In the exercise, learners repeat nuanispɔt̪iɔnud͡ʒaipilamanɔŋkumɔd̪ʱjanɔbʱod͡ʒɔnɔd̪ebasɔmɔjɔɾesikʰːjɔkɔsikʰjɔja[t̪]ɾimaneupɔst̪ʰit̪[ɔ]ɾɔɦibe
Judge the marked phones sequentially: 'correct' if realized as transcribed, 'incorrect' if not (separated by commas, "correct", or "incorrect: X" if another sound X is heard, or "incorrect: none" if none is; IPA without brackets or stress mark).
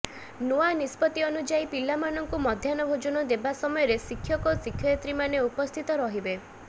correct, correct